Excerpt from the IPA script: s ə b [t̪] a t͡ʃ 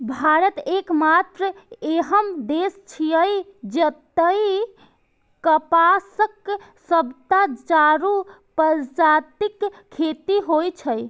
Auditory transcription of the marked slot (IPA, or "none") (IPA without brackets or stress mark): t̪